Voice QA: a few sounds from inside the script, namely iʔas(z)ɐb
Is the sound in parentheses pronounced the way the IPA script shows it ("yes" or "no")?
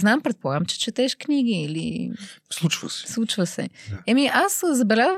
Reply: yes